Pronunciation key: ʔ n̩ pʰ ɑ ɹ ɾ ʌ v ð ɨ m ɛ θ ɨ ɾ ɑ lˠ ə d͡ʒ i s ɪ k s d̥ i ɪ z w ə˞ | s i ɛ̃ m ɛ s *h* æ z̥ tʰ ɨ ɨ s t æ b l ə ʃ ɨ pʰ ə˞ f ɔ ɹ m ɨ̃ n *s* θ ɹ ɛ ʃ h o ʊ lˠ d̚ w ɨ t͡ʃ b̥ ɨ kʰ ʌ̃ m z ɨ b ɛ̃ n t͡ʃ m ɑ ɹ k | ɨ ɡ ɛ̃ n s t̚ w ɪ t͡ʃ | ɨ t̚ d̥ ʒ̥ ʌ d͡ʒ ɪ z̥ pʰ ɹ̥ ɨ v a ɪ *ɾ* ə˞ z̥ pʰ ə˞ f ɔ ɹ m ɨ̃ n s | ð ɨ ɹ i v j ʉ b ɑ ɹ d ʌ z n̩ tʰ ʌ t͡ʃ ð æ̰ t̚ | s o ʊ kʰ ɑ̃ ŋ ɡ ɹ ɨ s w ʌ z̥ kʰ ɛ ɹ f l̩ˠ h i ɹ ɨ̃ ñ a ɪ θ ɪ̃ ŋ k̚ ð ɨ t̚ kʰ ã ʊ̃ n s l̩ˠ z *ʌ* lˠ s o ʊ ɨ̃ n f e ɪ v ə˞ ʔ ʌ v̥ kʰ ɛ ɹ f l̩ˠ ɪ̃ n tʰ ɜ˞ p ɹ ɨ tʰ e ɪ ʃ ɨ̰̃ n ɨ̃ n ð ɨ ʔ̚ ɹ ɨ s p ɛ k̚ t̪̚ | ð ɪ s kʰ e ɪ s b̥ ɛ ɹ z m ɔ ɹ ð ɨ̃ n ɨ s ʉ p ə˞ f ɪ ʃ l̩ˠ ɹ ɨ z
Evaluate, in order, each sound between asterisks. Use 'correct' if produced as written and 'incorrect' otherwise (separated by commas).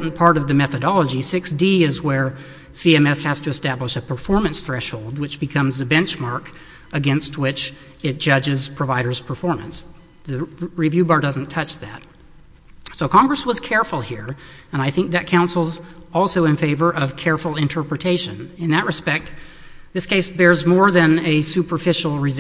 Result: correct, correct, correct, incorrect